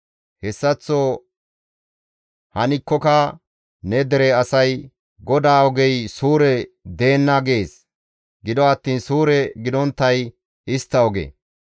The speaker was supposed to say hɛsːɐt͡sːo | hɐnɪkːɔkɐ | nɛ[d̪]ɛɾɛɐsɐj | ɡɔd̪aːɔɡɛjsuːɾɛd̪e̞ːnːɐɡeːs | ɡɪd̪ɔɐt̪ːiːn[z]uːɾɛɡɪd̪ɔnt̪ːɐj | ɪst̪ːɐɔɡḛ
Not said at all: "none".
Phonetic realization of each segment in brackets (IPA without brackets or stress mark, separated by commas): d̪, s